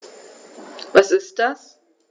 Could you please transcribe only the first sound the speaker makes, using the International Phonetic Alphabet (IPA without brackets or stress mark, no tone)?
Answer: v